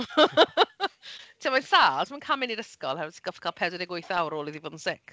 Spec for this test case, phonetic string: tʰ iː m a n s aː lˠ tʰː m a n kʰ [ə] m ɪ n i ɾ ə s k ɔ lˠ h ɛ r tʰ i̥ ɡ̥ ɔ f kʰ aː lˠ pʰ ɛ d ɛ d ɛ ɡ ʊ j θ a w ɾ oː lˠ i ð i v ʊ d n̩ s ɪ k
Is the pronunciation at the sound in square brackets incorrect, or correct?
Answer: incorrect